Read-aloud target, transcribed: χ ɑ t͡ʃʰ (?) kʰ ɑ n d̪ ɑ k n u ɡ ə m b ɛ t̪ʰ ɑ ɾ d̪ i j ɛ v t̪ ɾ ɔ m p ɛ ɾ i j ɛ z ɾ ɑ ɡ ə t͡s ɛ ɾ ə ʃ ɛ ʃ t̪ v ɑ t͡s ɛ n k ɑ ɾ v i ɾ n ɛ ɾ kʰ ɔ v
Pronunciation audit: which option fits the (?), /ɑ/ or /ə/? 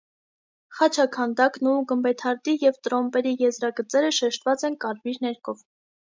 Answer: ɑ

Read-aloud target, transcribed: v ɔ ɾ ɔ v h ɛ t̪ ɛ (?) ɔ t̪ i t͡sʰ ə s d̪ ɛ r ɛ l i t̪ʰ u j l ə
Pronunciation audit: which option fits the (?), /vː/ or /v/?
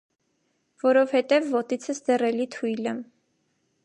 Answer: vː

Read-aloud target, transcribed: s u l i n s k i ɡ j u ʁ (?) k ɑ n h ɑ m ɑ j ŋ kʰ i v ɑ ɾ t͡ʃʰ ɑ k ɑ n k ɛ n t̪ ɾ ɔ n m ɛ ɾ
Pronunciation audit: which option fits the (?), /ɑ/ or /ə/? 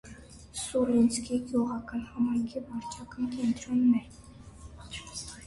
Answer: ɑ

